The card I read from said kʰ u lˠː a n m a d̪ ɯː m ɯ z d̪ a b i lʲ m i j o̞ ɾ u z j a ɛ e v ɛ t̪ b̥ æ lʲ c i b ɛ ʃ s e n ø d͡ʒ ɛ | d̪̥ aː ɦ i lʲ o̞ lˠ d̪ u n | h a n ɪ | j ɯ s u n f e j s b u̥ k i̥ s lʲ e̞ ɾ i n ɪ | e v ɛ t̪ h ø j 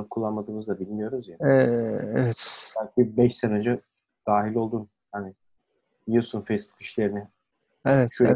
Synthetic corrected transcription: kʰ u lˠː a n m a d̪ ɯː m ɯ z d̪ a b i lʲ m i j o̞ ɾ u z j a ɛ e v ɛ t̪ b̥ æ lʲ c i b ɛ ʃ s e n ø d͡ʒ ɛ | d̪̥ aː ɦ i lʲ o̞ lˠ d̪ u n | h a n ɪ | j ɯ s u n f e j s b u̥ k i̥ ʃ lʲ e̞ ɾ i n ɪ | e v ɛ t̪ ʃ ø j